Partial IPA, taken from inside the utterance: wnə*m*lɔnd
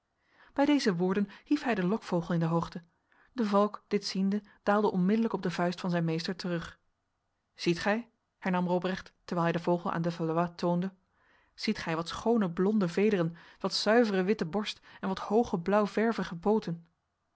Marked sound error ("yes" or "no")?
yes